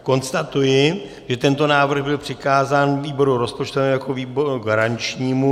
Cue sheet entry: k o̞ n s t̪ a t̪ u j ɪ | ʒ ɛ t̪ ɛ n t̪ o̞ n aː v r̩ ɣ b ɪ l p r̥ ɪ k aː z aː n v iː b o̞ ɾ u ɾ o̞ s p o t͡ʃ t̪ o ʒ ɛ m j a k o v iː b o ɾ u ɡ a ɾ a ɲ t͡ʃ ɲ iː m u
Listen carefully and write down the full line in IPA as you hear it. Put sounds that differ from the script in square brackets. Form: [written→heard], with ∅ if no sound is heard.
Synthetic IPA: k o̞ n s t̪ a t̪ u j ɪ | ʒ ɛ t̪ ɛ n t̪ o̞ n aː v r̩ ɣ b ɪ l p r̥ ɪ k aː z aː n v iː b o̞ ɾ u ɾ o̞ s p o t͡ʃ t̪ o [ʒ→v] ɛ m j a k o v iː b o ɾ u ɡ a ɾ a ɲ t͡ʃ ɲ iː m u